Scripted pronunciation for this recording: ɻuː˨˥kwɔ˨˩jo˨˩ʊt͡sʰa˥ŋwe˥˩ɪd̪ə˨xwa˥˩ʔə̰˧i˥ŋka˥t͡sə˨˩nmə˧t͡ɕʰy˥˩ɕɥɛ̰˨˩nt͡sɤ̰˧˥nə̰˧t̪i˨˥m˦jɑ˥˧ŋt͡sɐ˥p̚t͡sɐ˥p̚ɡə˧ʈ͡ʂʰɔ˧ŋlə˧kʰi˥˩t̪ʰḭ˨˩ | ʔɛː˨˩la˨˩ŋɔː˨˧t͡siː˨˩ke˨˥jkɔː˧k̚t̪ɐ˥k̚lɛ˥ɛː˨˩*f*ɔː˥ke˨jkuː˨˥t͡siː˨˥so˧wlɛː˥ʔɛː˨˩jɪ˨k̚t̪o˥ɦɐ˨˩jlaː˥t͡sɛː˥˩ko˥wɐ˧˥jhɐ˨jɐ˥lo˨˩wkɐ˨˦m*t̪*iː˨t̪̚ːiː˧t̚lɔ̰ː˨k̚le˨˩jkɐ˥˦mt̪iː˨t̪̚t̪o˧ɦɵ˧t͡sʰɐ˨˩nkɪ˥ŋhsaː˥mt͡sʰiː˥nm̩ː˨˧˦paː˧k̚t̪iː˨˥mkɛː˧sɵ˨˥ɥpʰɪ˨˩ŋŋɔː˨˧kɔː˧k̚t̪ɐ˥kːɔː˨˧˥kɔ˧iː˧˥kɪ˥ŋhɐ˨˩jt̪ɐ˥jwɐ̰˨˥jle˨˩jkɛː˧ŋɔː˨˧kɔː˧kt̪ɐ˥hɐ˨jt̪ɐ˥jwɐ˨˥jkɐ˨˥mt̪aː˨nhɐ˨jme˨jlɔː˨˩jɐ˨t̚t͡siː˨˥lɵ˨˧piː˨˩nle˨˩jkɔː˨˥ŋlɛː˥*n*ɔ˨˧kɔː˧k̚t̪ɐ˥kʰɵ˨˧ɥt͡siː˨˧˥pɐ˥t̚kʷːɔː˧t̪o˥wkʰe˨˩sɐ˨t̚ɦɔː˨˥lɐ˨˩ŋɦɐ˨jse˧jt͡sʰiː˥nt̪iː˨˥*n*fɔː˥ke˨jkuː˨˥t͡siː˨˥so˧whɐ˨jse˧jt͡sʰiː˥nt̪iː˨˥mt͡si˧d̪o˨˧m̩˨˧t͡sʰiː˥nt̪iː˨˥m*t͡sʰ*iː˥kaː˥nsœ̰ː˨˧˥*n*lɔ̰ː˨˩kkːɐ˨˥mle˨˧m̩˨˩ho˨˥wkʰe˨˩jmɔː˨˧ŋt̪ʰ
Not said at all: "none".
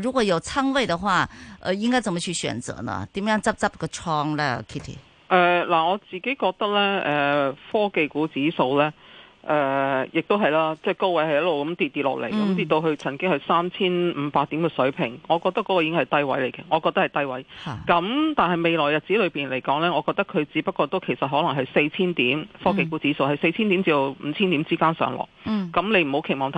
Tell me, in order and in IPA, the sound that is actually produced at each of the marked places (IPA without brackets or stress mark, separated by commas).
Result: f, t̪, ŋ, m, t͡s, ŋ